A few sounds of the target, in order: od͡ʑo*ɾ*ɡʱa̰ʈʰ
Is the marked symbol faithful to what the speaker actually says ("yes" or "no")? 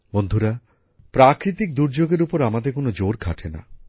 yes